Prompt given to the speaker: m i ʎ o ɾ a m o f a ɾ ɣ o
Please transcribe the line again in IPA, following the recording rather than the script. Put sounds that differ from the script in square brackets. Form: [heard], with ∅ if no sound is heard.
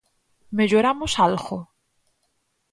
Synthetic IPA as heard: m [e] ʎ o ɾ a m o [s] a [l] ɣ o